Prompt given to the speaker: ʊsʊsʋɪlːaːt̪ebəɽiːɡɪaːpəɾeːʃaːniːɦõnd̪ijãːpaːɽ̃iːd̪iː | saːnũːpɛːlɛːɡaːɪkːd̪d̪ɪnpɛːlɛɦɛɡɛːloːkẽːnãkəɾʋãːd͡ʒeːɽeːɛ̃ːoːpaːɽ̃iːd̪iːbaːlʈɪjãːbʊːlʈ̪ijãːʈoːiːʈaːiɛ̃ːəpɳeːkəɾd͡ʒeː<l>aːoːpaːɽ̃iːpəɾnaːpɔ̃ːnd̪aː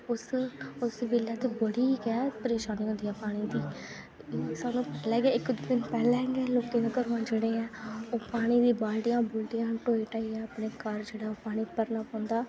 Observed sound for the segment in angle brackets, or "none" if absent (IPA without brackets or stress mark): ɽ